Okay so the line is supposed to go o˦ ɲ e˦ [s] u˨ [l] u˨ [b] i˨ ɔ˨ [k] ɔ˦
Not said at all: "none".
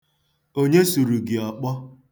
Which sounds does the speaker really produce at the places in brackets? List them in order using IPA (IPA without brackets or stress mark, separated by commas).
s, ɾ, ɡ, k͡p